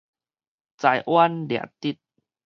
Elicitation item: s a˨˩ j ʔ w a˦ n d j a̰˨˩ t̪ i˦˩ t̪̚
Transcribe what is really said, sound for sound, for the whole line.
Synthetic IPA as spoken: t͡s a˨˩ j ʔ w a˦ n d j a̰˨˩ t̪ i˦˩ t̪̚